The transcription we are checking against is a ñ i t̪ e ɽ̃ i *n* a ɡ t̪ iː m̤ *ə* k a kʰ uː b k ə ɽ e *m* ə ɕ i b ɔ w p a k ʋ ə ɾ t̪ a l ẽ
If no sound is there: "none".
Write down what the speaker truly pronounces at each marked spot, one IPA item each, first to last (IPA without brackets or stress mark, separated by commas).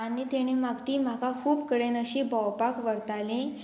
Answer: m, a, n